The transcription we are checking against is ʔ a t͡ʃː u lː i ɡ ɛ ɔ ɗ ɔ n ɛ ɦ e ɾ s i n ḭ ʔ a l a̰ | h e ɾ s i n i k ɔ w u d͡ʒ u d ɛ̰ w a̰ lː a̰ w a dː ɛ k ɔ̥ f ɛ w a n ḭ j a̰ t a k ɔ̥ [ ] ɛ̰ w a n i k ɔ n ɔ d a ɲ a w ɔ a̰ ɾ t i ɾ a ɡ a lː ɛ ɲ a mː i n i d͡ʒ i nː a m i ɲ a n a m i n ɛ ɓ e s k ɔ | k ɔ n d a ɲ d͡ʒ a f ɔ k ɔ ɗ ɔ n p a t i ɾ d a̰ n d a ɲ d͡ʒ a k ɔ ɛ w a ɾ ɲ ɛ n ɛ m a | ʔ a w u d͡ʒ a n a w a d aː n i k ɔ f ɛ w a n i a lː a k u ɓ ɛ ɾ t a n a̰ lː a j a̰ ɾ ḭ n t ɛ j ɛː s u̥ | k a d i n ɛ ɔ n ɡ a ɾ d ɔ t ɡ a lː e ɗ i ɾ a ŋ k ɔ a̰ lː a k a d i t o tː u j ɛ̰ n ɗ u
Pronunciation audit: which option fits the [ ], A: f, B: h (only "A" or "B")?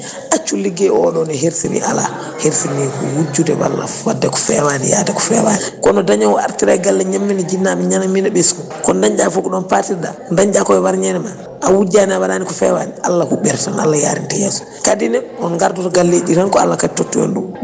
A